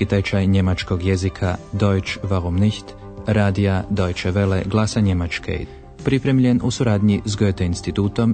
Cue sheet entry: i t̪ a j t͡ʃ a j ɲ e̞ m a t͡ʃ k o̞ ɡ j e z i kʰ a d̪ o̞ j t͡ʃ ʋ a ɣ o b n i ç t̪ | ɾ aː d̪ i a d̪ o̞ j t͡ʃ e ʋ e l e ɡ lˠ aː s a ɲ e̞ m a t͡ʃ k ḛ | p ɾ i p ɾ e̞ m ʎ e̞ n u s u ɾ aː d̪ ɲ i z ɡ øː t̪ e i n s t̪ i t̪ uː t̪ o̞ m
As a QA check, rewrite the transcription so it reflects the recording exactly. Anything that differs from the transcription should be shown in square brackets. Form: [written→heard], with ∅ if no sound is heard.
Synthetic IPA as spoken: i t̪ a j t͡ʃ a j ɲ e̞ m a t͡ʃ k o̞ ɡ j e z i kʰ a d̪ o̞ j t͡ʃ ʋ a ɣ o [b→m] n i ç t̪ | ɾ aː d̪ i a d̪ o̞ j t͡ʃ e ʋ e l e ɡ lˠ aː s a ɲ e̞ m a t͡ʃ k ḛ | p ɾ i p ɾ e̞ m ʎ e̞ n u s u ɾ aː d̪ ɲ i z ɡ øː t̪ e i n s t̪ i t̪ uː t̪ o̞ m